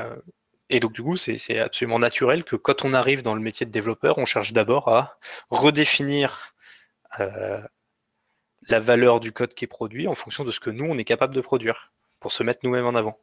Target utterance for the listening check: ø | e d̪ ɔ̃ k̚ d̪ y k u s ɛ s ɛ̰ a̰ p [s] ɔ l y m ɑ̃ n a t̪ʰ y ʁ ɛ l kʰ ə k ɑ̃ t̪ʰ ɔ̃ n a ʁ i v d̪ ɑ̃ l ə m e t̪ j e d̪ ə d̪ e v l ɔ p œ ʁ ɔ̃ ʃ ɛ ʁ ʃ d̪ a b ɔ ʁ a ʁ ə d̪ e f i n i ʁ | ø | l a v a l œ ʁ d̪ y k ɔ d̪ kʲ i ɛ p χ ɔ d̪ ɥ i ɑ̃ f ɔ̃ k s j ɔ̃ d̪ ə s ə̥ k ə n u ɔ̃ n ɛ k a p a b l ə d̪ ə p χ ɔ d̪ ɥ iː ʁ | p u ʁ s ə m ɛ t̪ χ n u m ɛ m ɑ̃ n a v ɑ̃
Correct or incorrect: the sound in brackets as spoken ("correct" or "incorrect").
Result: correct